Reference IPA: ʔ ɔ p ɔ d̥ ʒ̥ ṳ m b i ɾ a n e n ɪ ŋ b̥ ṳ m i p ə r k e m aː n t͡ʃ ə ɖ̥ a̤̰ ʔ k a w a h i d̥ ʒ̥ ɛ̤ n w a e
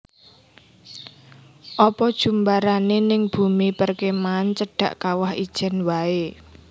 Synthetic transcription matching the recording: ʔ ɔ p ɔ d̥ ʒ̥ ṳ m b a ɾ a n e n ɪ ŋ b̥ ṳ m i p ə r k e m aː n t͡ʃ ə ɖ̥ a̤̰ ʔ k a w a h i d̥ ʒ̥ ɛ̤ n w a e